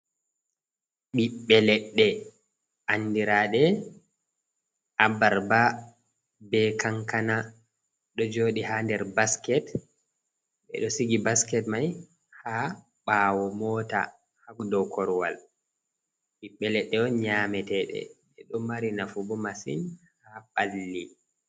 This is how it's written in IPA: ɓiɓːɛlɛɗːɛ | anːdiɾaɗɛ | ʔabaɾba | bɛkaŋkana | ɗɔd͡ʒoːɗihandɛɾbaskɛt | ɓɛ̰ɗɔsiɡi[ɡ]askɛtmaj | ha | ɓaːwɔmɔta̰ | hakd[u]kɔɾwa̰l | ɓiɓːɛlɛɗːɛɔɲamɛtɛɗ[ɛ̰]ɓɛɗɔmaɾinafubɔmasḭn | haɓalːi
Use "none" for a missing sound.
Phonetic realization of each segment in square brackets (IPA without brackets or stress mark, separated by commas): b, ɔ, ɛ̰